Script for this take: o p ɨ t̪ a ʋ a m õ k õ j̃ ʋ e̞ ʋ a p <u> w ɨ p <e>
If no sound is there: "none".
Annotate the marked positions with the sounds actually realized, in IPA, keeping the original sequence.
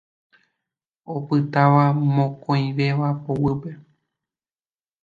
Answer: o, e

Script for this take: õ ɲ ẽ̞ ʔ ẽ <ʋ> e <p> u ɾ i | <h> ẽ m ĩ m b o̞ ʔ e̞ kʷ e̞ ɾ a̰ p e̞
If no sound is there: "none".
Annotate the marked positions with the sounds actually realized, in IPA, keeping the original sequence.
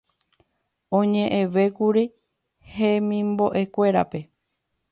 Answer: ʋ, k, h

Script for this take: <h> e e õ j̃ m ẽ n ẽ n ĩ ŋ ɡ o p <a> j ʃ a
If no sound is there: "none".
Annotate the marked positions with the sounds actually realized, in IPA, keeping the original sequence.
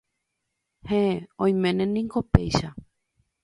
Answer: h, e

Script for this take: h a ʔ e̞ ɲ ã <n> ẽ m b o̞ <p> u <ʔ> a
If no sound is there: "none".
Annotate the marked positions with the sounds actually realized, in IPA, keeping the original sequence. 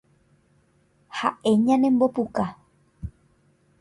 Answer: n, p, k

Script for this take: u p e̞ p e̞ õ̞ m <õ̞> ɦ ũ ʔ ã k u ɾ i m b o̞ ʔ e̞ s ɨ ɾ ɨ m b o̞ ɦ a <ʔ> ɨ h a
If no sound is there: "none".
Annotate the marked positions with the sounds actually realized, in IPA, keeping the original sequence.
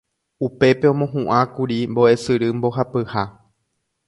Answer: õ̞, p

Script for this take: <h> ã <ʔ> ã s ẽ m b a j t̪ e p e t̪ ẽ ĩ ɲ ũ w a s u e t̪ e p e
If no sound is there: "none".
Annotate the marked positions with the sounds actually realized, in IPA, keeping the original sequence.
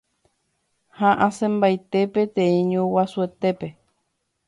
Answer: h, ʔ

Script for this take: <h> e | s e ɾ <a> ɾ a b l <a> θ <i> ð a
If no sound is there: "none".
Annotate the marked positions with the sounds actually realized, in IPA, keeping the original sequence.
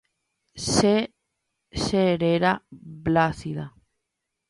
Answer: s, e, a, i

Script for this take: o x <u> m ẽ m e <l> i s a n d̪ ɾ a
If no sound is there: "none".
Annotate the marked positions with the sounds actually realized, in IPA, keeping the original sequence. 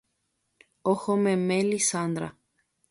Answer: o, l

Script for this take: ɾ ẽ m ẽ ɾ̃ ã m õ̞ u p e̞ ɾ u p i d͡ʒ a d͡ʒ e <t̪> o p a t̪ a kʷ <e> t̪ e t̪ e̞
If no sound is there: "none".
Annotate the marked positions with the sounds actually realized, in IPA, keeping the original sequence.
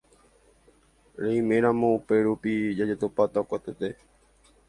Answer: t̪, a

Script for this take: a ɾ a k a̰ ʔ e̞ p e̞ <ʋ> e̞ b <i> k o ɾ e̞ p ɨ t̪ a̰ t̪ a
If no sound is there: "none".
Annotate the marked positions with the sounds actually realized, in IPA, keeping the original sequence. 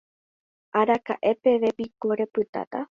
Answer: ʋ, i

